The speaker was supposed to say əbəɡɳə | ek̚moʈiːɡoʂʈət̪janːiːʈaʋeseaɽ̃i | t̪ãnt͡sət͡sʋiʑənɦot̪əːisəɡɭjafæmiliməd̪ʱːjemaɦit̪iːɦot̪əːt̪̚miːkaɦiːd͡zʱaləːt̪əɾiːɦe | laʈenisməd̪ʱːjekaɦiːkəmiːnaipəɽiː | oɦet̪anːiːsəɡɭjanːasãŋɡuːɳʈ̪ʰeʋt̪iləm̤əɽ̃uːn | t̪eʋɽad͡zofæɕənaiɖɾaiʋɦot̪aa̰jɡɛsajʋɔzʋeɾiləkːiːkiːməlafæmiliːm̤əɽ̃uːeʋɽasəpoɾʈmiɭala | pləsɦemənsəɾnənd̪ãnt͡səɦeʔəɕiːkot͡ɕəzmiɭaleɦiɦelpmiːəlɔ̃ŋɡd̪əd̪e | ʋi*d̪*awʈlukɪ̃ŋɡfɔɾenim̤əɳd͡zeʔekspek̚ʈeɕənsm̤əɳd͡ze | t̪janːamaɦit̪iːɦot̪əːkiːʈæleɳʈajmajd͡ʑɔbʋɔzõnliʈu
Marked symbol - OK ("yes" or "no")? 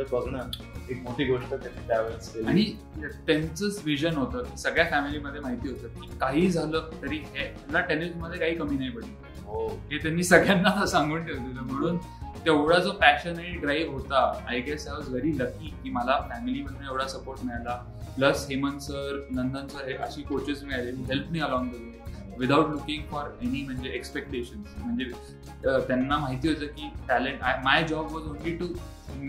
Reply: yes